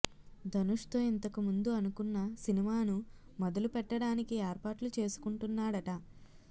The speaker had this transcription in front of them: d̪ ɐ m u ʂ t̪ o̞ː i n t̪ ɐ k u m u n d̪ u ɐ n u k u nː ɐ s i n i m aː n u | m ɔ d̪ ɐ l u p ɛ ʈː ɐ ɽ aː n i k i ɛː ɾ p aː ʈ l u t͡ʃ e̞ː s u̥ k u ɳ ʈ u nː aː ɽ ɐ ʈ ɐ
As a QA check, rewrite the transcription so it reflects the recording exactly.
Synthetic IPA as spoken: d̪ ɐ n u ʂ t̪ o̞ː i n t̪ ɐ k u m u n d̪ u ɐ n u k u nː ɐ s i n i m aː n u | m ɔ d̪ ɐ l u p ɛ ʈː ɐ ɽ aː n i k i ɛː ɾ p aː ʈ l u t͡ʃ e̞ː s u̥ k u ɳ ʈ u nː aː ɽ ɐ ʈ ɐ